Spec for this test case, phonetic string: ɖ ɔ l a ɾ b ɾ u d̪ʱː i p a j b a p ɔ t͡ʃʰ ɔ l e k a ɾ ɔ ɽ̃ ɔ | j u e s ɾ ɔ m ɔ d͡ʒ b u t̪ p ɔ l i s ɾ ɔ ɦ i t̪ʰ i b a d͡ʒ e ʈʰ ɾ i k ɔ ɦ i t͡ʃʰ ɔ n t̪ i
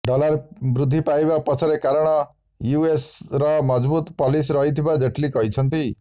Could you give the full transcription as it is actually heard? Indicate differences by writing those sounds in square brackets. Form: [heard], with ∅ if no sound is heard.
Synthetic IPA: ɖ ɔ l a ɾ b ɾ u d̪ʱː i p a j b a p ɔ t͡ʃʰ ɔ [ɾ] e k a ɾ ɔ ɽ̃ ɔ | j u e s ɾ ɔ m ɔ d͡ʒ b u t̪ p ɔ l i s ɾ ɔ ɦ i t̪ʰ i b a d͡ʒ e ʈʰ [l] i k ɔ ɦ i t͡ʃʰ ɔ n t̪ i